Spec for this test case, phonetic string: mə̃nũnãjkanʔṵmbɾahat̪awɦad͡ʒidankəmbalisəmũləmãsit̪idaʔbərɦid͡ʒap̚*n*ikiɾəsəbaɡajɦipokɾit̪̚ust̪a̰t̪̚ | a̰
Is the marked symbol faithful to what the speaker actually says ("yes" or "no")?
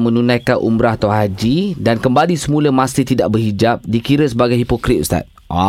no